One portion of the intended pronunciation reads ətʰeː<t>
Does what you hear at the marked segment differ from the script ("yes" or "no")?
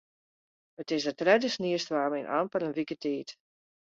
no